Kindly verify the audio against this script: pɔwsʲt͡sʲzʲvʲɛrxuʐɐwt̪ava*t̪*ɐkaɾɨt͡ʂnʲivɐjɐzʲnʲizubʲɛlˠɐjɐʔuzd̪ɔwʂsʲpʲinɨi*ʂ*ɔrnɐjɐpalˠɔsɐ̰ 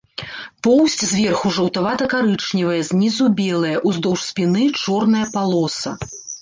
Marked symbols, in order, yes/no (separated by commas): yes, no